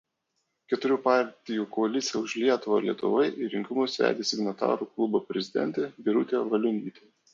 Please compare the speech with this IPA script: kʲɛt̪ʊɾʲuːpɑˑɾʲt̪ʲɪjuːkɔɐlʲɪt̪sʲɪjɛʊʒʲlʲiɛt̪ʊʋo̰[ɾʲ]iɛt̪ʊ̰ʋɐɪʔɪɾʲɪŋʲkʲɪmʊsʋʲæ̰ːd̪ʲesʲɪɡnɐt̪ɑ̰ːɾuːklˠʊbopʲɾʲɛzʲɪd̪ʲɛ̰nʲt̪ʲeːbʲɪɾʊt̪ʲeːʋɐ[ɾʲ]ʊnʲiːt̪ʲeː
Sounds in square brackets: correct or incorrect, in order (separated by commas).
incorrect, incorrect